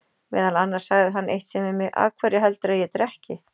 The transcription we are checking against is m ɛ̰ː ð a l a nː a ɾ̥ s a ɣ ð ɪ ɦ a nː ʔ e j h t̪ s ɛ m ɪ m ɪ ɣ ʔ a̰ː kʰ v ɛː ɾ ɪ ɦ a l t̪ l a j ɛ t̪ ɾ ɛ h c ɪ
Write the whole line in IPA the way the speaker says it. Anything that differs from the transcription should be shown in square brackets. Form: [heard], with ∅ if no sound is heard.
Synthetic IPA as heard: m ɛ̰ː ð a l a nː a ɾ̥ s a ɣ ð ɪ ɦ a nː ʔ e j h t̪ s ɛ m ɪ m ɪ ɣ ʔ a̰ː kʰ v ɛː ɾ ɪ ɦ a l t̪ [ɾ] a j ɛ t̪ ɾ ɛ h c ɪ